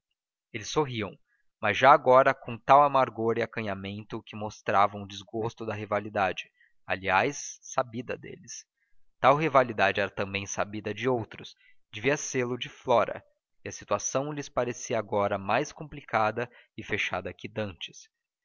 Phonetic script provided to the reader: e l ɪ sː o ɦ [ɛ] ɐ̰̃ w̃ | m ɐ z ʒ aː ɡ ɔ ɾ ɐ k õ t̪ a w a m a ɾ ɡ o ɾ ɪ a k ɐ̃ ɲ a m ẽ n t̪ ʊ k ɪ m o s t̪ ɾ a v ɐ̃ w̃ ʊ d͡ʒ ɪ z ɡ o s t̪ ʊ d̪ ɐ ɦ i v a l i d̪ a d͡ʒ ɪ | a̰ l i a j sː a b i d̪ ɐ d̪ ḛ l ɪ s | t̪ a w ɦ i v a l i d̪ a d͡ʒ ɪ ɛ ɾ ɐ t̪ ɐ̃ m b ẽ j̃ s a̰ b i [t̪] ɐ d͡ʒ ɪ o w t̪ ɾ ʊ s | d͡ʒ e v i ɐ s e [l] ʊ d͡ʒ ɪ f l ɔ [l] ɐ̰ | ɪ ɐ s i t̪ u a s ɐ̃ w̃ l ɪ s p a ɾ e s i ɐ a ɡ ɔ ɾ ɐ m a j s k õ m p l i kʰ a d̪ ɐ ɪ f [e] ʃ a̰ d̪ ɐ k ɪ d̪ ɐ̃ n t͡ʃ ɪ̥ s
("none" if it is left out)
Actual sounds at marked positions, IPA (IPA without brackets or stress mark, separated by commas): i, d̪, l, ɾ, e